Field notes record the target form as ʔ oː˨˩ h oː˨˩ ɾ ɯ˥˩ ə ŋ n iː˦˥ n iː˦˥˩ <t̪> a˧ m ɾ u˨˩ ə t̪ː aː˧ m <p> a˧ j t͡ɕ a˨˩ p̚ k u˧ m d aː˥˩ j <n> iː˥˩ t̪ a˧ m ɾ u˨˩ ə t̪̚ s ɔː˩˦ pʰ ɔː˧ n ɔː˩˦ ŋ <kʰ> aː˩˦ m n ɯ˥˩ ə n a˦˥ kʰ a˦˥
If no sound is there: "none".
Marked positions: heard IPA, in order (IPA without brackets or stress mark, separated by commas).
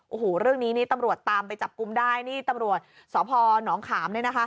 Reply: t̪, p, n, kʰ